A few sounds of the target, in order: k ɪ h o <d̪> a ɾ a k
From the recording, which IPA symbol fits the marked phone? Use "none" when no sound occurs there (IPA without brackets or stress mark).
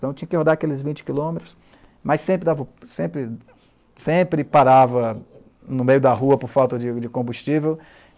d̪